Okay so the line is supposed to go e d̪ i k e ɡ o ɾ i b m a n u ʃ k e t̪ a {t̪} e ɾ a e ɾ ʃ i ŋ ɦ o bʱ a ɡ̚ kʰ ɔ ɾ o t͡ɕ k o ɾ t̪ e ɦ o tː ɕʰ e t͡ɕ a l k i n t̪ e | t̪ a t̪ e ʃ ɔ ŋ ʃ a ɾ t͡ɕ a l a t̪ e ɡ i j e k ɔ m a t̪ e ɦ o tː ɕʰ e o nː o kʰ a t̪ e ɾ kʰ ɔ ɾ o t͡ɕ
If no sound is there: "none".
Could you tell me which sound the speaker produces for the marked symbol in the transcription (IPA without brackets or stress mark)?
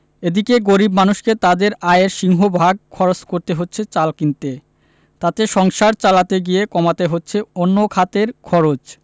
d̪